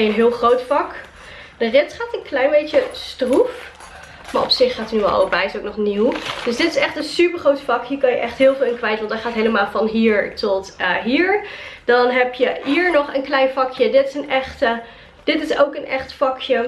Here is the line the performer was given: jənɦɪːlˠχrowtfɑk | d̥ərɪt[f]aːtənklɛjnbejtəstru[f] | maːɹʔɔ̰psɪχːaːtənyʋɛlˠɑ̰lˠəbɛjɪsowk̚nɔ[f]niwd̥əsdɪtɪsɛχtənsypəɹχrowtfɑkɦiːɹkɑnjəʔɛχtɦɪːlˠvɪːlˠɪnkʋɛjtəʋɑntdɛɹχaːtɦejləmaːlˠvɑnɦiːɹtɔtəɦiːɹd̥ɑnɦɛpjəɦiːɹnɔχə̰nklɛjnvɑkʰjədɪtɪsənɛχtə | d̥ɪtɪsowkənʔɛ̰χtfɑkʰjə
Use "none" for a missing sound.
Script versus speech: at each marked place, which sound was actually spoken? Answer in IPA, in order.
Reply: χ, f, χ

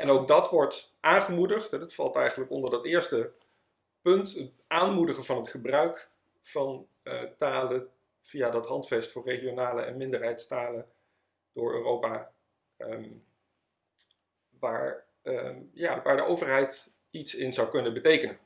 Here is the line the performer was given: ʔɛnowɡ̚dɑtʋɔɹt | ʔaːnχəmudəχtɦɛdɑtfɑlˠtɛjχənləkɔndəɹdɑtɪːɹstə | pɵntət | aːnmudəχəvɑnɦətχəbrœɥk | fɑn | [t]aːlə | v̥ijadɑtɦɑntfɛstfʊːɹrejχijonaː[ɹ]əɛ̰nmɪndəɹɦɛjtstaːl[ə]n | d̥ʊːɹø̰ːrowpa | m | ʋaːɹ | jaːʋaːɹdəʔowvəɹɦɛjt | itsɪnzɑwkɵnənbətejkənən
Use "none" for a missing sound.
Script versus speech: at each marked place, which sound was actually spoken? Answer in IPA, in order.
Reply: t, l, ə

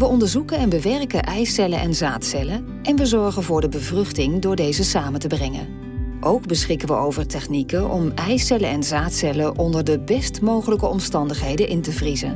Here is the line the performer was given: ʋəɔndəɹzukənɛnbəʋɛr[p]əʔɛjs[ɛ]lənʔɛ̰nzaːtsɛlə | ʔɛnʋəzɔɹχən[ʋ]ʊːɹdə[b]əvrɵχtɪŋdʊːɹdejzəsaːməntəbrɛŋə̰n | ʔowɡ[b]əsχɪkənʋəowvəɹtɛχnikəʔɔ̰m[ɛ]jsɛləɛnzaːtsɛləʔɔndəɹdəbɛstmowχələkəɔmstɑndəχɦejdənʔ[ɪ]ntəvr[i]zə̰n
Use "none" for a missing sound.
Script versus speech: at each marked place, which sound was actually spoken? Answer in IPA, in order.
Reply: k, ɛ, v, b, b, ɛ, ɪ, i

